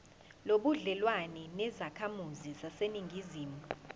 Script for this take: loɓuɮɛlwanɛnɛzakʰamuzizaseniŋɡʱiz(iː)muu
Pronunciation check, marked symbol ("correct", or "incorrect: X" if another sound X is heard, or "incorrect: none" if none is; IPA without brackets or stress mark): correct